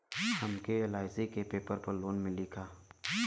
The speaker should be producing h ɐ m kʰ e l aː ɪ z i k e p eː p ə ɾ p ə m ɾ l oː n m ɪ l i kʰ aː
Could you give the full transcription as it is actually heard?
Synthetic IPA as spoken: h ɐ m k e l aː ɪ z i k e p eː p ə ɾ p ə ɾ l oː n m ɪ l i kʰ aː